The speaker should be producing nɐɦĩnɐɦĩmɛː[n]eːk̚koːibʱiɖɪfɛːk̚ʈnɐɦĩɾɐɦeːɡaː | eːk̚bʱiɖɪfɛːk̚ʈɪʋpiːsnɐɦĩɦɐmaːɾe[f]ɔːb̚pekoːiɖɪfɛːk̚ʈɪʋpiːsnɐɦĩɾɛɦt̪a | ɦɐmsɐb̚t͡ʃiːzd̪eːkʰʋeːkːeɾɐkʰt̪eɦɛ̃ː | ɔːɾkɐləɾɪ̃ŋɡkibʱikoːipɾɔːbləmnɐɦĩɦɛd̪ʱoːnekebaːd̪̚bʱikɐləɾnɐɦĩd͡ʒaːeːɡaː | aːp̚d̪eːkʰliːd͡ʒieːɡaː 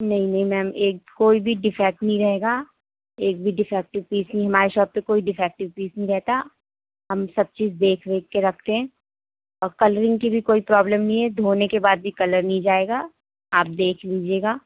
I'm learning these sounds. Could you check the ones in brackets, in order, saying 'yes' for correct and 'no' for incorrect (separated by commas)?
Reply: no, no